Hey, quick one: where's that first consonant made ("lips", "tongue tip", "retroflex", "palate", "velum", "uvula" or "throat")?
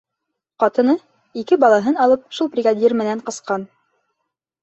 uvula